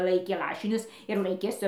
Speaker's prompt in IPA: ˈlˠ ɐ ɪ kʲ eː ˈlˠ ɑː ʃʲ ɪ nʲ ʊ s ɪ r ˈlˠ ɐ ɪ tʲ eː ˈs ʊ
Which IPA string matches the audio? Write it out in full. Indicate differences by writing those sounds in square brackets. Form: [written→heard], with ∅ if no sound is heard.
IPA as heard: ˈlˠ ɐ ɪ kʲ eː ˈlˠ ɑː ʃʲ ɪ nʲ ʊ s ɪ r ˈlˠ ɐ ɪ [tʲ→kʲ] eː ˈs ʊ